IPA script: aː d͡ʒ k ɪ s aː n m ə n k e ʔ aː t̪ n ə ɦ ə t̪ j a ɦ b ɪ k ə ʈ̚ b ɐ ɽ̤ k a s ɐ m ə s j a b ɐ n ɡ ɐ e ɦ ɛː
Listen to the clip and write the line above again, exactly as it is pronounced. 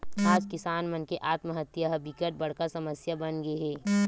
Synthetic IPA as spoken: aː d͡ʒ k ɪ s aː n m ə n k e ʔ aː t̪ m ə ɦ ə t̪ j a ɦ b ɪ k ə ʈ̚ b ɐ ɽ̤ k a s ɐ m ə s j a b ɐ n ɡ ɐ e ɦ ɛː